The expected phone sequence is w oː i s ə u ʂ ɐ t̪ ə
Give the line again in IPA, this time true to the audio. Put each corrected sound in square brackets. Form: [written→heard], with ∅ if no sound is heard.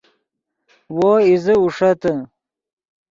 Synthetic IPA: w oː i [s→z] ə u ʂ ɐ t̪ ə